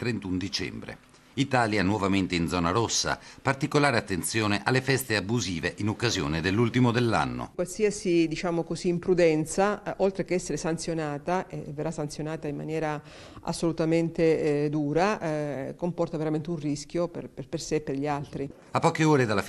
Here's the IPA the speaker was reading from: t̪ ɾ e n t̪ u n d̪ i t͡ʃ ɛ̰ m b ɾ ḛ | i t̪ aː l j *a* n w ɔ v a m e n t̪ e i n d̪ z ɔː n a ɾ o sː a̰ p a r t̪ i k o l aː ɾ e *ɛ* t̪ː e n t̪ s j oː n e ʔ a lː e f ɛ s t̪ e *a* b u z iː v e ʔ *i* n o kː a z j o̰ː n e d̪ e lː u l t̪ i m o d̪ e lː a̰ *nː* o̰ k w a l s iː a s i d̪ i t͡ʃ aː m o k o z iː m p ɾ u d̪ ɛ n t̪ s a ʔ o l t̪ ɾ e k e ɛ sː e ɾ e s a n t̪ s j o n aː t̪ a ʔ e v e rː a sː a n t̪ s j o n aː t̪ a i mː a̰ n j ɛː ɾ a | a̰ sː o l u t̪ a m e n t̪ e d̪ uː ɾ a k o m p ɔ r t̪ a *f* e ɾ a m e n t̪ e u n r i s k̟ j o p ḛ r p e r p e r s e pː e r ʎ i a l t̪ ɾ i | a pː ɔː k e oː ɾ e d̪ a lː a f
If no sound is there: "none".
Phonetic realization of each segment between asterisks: a, a, a, i, nː, v

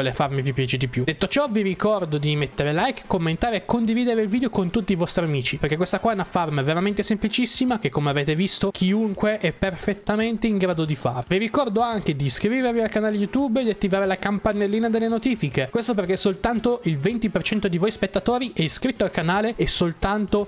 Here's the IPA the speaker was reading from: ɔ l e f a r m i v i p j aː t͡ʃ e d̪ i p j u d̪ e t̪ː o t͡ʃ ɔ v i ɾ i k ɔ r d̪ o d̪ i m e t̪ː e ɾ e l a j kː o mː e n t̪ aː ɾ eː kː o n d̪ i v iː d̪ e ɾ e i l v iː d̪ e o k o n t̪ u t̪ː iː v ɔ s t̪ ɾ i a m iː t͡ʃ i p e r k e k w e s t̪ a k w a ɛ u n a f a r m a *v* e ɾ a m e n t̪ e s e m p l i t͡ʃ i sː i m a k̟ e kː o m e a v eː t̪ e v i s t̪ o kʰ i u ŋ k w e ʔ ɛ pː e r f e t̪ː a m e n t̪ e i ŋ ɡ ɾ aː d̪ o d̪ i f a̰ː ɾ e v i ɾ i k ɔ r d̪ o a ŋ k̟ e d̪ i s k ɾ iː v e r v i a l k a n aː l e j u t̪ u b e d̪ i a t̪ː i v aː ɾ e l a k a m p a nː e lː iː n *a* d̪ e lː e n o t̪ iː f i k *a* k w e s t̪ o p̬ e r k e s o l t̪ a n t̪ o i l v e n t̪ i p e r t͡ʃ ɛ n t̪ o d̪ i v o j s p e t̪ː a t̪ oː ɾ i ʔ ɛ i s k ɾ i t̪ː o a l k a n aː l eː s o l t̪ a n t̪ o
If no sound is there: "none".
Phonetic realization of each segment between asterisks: v, a, e

